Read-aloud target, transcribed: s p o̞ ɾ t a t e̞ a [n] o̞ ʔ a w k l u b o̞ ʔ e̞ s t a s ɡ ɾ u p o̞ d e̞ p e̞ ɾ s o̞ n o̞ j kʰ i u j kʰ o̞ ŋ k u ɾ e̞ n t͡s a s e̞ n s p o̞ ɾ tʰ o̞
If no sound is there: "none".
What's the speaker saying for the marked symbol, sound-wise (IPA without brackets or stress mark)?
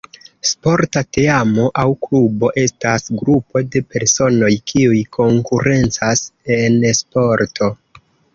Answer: m